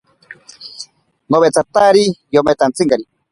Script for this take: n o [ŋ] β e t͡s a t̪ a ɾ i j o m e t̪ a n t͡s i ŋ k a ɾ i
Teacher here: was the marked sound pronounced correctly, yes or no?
no